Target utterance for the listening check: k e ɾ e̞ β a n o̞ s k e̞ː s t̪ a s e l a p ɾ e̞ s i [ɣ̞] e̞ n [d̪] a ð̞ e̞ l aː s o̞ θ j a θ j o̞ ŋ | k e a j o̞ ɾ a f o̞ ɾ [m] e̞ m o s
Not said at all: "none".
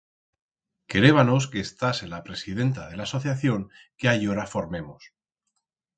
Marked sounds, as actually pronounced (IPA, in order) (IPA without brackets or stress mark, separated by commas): ð̞, t̪, m